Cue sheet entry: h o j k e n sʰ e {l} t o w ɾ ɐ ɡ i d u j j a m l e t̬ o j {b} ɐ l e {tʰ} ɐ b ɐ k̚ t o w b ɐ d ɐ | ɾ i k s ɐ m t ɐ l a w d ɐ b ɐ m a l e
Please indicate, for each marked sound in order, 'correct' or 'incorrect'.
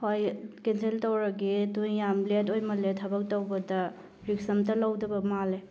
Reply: correct, incorrect: m, correct

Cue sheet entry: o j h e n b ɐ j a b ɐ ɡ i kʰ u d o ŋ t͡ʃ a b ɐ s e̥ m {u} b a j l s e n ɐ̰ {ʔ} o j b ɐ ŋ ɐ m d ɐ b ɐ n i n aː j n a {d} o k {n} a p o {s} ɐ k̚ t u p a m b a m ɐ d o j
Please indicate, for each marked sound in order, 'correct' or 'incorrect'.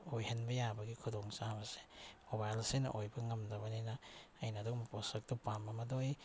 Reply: incorrect: o, correct, correct, incorrect: m, correct

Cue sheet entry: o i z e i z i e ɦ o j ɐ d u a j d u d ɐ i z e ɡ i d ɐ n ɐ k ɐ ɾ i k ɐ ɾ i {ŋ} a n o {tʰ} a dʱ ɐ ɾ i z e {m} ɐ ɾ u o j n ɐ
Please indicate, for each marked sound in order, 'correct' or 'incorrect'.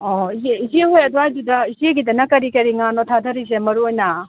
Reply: correct, correct, correct

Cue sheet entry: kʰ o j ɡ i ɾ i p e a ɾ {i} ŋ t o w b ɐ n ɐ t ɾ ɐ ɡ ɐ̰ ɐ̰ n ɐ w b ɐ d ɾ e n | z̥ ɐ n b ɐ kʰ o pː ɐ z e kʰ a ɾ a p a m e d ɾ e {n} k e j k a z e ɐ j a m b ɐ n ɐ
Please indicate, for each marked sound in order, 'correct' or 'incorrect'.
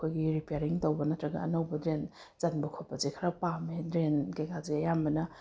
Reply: correct, correct

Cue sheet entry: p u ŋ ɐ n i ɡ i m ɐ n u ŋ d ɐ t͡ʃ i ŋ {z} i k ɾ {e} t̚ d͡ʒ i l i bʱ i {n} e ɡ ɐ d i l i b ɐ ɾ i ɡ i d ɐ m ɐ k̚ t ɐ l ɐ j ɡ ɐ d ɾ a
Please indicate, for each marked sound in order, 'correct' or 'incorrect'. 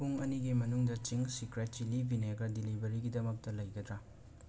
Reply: incorrect: s, correct, correct

